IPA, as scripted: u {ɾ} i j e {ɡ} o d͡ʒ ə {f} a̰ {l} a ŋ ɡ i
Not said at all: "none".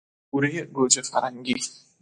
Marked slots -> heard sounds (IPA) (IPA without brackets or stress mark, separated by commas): ɾ, ɡ, f, ɾ